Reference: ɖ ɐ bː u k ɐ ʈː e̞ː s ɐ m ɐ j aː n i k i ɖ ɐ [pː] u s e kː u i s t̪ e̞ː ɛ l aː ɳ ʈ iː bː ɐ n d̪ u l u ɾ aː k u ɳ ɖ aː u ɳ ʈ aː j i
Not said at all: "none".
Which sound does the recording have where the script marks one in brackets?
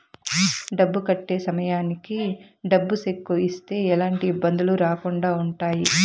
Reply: bː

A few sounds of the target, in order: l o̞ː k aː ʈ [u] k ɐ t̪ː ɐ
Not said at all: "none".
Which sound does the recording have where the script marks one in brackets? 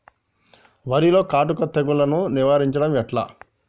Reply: u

